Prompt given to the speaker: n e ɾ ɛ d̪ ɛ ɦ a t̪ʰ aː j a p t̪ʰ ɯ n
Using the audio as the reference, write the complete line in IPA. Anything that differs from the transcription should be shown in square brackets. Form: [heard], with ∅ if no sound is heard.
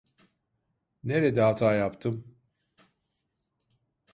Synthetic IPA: n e ɾ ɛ d̪ ɛ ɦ a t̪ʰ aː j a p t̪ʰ ɯ [m]

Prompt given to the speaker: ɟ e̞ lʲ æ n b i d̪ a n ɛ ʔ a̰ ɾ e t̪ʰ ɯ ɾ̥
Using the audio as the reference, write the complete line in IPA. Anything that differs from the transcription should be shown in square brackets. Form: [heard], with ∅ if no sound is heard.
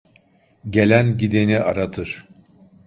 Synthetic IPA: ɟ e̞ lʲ æ n [ɟ] i d̪ [e] n [i] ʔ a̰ ɾ [a] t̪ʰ ɯ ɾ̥

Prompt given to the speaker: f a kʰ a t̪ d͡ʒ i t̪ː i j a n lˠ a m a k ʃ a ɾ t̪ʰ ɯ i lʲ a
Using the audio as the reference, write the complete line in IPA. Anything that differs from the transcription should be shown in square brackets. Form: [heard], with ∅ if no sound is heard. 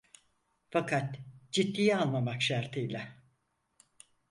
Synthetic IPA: f a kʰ a t̪ d͡ʒ i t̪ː i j a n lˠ a m a k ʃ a ɾ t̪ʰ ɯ [j] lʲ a

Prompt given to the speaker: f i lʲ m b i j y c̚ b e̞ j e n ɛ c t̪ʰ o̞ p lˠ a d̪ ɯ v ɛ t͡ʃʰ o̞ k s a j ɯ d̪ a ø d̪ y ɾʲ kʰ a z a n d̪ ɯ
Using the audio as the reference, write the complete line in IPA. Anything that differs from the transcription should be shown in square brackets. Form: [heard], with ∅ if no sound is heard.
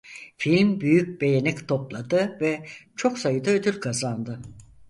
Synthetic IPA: f i lʲ m b [y] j y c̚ b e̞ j e n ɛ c t̪ʰ o̞ p lˠ a d̪ ɯ v ɛ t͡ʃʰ o̞ k s a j ɯ d̪ a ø d̪ y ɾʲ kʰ a z a n d̪ ɯ

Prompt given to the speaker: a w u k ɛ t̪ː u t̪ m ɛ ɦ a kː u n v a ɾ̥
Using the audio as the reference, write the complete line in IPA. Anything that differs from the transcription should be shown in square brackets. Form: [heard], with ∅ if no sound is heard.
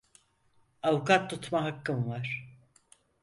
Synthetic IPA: a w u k [a] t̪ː u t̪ m [a] ɦ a kː [ɯ] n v a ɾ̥

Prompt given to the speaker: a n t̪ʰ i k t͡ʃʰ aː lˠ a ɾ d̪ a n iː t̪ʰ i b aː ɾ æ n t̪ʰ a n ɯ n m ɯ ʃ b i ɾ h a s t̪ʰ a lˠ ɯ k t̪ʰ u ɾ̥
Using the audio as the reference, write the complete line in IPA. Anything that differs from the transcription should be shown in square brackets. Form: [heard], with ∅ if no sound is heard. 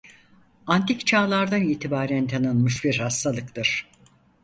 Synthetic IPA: a n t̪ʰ i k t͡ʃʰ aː lˠ a ɾ d̪ a n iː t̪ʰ i b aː ɾ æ n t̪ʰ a n ɯ n m ɯ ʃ b i ɾ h a s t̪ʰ a lˠ ɯ k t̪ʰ [ɯ] ɾ̥

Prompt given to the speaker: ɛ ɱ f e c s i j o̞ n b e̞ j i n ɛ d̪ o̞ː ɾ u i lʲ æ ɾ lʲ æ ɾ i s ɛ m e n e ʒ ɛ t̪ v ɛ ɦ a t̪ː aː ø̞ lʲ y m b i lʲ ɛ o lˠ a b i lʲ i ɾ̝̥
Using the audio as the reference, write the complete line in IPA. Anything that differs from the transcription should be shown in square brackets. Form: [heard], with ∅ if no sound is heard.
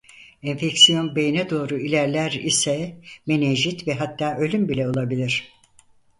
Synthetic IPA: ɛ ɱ f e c s i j o̞ n b e̞ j i n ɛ d̪ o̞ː ɾ u i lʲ æ ɾ lʲ æ ɾ i s ɛ m e n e ʒ [i] t̪ v ɛ ɦ a t̪ː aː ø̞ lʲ y m b i lʲ ɛ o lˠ a b i lʲ i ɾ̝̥

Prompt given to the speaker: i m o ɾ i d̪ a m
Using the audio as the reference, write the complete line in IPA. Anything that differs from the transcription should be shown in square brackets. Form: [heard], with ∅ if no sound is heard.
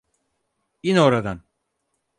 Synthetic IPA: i [n] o ɾ [a] d̪ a [n]

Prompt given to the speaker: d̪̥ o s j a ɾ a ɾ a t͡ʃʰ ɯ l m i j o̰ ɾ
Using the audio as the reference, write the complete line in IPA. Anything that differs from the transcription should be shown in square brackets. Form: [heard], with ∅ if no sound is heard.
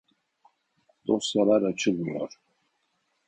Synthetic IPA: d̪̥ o s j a [l] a ɾ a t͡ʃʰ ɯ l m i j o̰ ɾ

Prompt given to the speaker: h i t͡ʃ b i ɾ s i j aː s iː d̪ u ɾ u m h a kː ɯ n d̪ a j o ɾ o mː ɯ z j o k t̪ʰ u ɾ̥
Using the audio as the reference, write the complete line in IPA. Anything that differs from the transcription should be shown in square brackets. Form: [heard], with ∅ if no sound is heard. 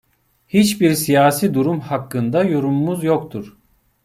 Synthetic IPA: h i t͡ʃ b i ɾ s i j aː s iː d̪ u ɾ u m h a kː ɯ n d̪ a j o ɾ [u] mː [u] z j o k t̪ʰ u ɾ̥

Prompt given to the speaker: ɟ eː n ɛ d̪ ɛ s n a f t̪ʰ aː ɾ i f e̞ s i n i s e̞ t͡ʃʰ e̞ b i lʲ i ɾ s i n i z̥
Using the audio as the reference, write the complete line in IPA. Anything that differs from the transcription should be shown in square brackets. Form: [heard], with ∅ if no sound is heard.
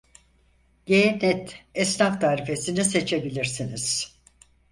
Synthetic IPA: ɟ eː n ɛ [t̪] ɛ s n a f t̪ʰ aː ɾ i f e̞ s i n i s e̞ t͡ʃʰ e̞ b i lʲ i ɾ s i n i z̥

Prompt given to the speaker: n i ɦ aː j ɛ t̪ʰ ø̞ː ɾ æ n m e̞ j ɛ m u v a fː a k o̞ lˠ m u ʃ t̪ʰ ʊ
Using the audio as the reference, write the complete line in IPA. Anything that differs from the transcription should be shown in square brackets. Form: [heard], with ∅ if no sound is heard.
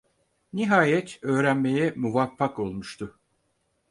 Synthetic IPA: n i ɦ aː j ɛ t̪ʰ ø̞ː ɾ æ n m e̞ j ɛ m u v a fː a k o̞ lˠ m u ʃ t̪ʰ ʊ

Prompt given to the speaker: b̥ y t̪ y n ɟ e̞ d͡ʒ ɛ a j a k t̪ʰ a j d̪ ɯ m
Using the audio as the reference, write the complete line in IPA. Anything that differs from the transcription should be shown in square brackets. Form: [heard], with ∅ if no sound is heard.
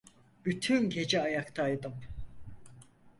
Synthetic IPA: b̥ y [t̪ʰ] y n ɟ e̞ d͡ʒ ɛ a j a k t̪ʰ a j d̪ ɯ m

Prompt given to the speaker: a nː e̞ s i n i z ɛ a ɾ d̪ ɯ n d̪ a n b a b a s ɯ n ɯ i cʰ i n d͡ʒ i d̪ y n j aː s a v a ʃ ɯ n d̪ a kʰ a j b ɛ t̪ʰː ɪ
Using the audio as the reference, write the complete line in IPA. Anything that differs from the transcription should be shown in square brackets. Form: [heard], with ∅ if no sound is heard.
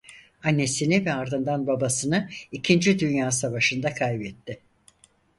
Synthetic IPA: a nː e̞ s i n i [v] ɛ a ɾ d̪ ɯ n d̪ a n b a b a s ɯ n ɯ i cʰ i n d͡ʒ i d̪ y n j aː s a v a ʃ ɯ n d̪ a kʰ a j b ɛ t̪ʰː ɪ

